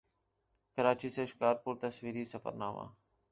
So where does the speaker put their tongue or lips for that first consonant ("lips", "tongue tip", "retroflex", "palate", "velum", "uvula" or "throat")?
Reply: velum